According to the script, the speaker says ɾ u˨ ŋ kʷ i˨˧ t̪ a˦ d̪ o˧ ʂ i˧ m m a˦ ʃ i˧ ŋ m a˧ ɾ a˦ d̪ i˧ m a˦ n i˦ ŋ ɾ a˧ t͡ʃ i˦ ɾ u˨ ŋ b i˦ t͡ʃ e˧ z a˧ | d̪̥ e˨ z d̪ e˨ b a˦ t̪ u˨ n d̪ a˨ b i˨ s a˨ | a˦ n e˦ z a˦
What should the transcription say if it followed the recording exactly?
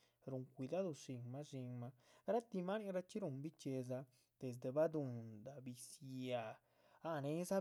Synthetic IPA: ɾ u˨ ŋ kʷ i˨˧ d̪ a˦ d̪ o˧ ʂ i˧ ŋ m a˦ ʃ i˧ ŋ m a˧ ɾ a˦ t̪ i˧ m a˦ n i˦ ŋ ɾ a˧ t͡ʃ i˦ ɾ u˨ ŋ b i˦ t͡ʃ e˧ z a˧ | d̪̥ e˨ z d̪ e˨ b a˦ d̪ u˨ n d̪ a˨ b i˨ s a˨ | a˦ n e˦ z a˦

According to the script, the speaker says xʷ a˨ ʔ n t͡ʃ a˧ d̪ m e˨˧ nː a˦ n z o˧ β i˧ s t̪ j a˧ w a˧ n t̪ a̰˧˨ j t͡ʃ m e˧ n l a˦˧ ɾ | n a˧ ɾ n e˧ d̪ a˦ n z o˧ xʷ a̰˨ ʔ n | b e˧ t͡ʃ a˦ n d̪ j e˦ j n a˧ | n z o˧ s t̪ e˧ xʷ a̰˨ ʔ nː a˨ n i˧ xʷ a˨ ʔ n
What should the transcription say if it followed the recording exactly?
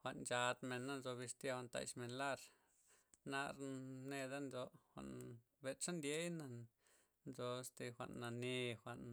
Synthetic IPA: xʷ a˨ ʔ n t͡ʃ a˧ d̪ m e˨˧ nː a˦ n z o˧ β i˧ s t̪ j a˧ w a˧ n t̪ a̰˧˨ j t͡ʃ m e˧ n l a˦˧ ɾ | n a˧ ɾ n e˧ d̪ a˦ n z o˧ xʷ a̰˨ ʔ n | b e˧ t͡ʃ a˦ n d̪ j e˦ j n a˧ | n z o˧ s t̪ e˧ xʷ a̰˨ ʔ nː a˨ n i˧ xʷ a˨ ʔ n

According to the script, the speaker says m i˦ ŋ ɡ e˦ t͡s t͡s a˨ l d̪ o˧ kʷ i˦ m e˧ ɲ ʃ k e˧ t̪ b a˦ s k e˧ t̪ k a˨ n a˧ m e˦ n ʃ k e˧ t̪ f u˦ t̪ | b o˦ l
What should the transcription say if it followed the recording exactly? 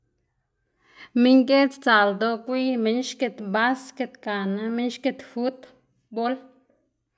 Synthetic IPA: m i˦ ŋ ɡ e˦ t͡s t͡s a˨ l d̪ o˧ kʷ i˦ m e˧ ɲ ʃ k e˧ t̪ b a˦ s k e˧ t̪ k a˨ n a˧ m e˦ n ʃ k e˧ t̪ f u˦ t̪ | b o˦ l

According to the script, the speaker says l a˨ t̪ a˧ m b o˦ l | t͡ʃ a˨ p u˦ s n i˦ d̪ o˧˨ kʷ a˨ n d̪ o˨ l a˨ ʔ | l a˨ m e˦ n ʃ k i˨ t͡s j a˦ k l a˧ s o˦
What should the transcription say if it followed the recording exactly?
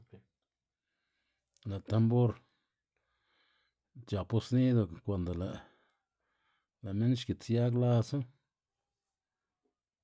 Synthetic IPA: l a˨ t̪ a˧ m b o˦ ɾ | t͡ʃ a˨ p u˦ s n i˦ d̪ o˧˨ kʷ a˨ n d̪ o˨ l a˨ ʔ | l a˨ m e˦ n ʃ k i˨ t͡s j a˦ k l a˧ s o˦

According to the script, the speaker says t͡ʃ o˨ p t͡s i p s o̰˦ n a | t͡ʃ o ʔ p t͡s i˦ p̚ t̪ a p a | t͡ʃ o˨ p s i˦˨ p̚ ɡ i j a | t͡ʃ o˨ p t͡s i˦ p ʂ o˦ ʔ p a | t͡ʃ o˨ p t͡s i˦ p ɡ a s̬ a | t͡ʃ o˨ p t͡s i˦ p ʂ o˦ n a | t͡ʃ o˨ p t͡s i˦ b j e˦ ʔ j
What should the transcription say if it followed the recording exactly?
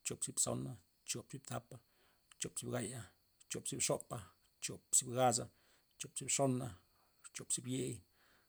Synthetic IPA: t͡ʃ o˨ p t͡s i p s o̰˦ n a | t͡ʃ o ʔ p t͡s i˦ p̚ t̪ a p a | t͡ʃ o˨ p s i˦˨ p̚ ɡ a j a | t͡ʃ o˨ p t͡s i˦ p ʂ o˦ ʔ p a | t͡ʃ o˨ p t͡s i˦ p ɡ a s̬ a | t͡ʃ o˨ p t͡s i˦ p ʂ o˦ n a | t͡ʃ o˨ p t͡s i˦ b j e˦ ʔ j

